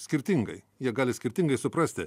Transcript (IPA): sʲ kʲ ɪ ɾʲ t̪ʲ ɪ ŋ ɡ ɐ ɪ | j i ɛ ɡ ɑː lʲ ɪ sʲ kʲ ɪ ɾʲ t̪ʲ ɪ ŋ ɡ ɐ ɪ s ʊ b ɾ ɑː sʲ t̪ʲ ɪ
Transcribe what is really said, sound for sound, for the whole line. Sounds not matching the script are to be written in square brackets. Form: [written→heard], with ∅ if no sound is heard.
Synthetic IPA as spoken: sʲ kʲ ɪ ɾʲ t̪ʲ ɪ ŋ ɡ ɐ ɪ | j i ɛ ɡ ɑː lʲ ɪ sʲ kʲ ɪ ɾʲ t̪ʲ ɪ ŋ ɡ ɐ ɪ s ʊ [b→p] ɾ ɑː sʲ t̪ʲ ɪ